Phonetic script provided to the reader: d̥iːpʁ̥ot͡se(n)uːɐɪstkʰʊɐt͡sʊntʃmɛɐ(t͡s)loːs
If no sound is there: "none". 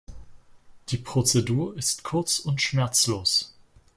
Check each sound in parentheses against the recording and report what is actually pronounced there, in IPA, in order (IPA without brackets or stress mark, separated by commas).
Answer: d, t͡s